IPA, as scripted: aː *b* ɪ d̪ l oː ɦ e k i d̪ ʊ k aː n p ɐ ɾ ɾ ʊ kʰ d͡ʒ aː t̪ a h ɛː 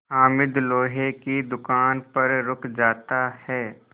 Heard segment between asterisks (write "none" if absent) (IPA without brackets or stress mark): m